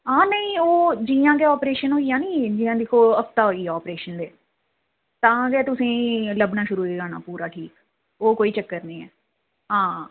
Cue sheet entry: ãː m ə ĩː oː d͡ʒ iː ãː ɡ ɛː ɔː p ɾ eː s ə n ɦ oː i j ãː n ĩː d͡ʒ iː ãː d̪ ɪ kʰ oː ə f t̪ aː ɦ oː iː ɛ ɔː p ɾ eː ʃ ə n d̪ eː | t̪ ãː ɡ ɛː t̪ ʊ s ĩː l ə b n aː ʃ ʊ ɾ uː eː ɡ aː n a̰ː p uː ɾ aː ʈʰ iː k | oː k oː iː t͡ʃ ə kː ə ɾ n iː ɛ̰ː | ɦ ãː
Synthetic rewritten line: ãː n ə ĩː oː d͡ʒ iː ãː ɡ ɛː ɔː p ɾ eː ʃ ə n ɦ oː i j ãː n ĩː d͡ʒ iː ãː d̪ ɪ kʰ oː ə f t̪ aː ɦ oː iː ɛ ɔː p ɾ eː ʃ ə n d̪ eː | t̪ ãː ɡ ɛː t̪ ʊ s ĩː l ə b n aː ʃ ʊ ɾ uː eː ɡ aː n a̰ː p uː ɾ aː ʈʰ iː k | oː k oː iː t͡ʃ ə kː ə ɾ n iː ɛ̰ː | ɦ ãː